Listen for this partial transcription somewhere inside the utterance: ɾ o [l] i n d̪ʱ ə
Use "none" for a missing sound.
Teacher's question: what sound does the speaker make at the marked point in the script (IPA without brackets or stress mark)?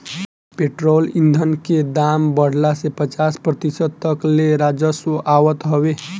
l